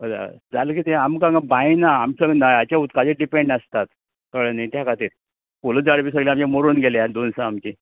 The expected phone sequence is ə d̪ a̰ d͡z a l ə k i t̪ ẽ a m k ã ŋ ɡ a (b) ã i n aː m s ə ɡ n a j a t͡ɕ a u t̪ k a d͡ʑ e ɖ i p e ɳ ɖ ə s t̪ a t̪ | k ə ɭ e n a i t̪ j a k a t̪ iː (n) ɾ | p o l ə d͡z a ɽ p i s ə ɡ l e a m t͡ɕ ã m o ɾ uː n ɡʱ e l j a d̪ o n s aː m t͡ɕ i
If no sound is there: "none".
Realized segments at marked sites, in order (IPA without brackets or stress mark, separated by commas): b, none